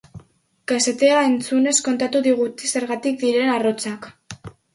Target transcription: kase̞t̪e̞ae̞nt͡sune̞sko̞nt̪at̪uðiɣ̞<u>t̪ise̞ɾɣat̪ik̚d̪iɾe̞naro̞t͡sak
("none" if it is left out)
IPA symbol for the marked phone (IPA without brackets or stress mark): u